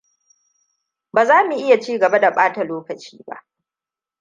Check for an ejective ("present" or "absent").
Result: absent